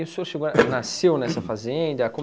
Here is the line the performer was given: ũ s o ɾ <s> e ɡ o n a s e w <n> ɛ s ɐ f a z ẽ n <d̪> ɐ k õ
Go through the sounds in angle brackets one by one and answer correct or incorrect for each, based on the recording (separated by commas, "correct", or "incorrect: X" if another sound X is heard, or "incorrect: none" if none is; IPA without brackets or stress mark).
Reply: incorrect: ʃ, correct, correct